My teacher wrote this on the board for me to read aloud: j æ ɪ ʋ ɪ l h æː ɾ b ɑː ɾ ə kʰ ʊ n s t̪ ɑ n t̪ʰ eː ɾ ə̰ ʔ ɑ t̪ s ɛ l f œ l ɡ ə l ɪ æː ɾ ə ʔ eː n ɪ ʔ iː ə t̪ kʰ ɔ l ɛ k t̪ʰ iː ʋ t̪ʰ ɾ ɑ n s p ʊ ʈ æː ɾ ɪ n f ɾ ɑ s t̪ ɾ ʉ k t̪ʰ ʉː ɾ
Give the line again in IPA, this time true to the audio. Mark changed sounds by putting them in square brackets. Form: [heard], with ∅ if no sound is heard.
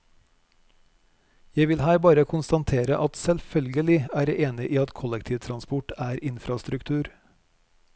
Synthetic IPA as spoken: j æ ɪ ʋ ɪ l h æː ɾ b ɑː ɾ ə kʰ ʊ n s t̪ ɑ n t̪ʰ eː ɾ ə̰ ʔ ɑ t̪ s ɛ l f œ l ɡ ə l ɪ æː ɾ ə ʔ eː n ɪ ʔ iː [ɑ] t̪ kʰ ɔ l ɛ k t̪ʰ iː ʋ t̪ʰ ɾ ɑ n s p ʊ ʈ æː ɾ ɪ n f ɾ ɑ s t̪ ɾ ʉ k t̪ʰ ʉː ɾ